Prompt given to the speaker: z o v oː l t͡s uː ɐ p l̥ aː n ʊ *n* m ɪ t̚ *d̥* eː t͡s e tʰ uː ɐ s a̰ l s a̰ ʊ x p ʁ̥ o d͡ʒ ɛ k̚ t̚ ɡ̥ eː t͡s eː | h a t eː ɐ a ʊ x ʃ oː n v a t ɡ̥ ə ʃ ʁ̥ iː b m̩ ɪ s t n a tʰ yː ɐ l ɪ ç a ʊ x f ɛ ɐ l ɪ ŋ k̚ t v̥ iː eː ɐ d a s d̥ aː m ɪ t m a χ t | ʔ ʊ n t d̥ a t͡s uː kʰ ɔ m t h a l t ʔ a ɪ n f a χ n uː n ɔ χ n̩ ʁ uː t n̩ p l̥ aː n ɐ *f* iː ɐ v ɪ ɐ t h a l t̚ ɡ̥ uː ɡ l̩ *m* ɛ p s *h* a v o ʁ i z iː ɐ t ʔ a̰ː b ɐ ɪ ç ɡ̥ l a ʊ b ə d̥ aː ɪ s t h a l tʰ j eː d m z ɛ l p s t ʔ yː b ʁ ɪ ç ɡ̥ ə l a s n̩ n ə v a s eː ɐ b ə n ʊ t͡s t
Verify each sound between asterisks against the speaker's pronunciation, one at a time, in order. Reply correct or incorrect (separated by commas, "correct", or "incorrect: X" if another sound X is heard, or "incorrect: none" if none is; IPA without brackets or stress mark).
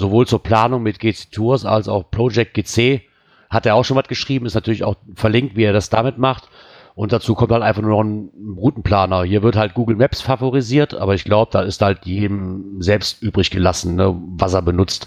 incorrect: ŋ, incorrect: ɡ̥, incorrect: h, correct, incorrect: f